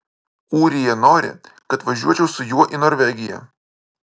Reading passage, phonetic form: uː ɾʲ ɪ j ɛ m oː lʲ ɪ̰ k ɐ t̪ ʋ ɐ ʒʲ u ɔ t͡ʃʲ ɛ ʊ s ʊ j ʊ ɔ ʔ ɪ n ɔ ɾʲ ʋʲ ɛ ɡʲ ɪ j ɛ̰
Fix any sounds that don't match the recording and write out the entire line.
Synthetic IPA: uː ɾʲ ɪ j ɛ n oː ɾʲ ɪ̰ k ɐ t̪ ʋ ɐ ʒʲ u ɔ t͡ʃʲ ɛ ʊ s ʊ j u ɔ ʔ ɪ n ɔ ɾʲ ʋʲ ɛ ɡʲ ɪ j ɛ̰